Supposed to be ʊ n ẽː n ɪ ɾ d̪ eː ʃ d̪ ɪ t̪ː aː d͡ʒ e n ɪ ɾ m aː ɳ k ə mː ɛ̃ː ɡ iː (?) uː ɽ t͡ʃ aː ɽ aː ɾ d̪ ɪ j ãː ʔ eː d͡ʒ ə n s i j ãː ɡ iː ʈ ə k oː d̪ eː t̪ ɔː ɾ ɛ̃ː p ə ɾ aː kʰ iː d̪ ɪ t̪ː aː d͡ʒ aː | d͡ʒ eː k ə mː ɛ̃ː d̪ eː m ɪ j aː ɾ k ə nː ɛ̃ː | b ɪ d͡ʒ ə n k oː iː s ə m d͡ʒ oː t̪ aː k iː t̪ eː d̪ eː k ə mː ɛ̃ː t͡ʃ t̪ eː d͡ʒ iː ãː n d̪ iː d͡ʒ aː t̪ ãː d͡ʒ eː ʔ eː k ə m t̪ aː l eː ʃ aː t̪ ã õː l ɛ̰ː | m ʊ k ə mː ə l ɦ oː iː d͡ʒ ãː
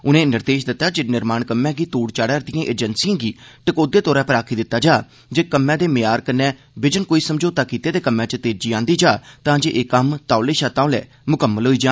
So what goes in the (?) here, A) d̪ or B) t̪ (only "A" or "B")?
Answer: B